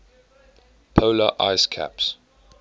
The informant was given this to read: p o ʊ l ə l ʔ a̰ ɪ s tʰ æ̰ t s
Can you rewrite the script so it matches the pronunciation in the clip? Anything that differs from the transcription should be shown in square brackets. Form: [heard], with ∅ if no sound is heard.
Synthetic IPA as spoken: [pʰ] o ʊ l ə [∅] ʔ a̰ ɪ s [kʰ] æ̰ [p] s